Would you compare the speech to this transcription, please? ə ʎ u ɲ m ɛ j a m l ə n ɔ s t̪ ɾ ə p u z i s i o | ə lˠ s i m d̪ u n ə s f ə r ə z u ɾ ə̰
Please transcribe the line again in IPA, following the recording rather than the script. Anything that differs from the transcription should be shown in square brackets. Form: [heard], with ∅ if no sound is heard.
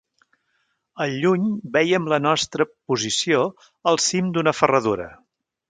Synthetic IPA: ə ʎ u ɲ [b] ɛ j [ə] m l ə n ɔ s t̪ ɾ ə p u z i s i o | ə lˠ s i m d̪ u n ə [∅] f ə r ə [ð] u ɾ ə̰